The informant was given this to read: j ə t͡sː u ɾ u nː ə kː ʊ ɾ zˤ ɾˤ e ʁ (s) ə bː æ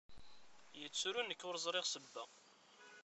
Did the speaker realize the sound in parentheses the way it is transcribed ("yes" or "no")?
yes